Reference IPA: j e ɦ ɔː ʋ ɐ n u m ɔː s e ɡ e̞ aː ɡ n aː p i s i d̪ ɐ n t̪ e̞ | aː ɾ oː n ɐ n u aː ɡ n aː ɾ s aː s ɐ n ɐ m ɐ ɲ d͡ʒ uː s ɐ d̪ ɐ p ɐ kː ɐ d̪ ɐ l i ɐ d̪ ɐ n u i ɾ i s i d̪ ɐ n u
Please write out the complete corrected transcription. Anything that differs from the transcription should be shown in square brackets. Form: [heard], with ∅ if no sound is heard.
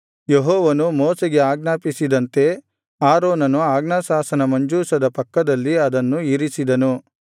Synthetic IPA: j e ɦ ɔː ʋ ɐ n u m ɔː s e ɡ e̞ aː ɡ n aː p i s i d̪ ɐ n t̪ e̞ | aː ɾ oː n ɐ n u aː ɡ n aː [∅] s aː s ɐ n ɐ m ɐ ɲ d͡ʒ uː s ɐ d̪ ɐ p ɐ kː ɐ d̪ ɐ [lː] i ɐ d̪ ɐ [nː] u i ɾ i s i d̪ ɐ n u

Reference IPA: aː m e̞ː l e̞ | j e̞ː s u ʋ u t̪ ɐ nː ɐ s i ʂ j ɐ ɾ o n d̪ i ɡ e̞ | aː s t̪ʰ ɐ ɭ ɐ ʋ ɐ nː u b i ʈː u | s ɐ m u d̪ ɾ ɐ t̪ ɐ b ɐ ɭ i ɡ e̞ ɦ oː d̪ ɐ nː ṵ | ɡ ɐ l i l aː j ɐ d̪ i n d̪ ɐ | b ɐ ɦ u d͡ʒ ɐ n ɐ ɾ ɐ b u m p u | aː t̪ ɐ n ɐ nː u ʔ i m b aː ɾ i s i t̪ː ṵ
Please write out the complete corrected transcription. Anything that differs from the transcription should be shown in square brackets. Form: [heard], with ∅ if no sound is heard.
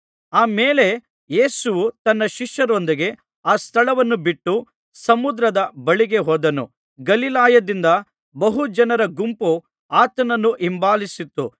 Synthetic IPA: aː m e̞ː l e̞ | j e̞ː s u ʋ u t̪ ɐ nː ɐ [ʃ] i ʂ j ɐ ɾ o n d̪ i ɡ e̞ | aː s t̪ʰ ɐ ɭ ɐ ʋ ɐ nː u b i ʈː u | s ɐ m u d̪ ɾ ɐ [d̪] ɐ b ɐ ɭ i ɡ e̞ ɦ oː d̪ ɐ [n] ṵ | ɡ ɐ l i l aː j ɐ d̪ i n d̪ ɐ | b ɐ ɦ u d͡ʒ ɐ n ɐ ɾ ɐ [ɡ] u m p u | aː t̪ ɐ n ɐ nː u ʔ i m b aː [l] i s i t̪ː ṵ

